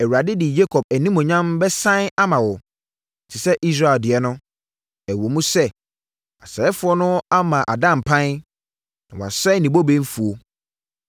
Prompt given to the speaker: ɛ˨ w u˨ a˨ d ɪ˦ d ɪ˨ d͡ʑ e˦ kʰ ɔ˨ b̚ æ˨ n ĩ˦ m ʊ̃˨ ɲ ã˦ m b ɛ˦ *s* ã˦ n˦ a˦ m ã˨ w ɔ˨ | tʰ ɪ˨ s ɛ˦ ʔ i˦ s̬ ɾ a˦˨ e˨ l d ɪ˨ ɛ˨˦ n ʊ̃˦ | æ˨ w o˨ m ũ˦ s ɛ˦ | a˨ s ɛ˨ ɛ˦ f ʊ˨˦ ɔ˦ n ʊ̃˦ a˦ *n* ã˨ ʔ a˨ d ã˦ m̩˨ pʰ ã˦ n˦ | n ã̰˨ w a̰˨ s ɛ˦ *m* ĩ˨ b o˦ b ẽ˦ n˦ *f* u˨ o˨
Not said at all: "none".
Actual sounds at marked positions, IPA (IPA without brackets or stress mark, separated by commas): s, m, n, f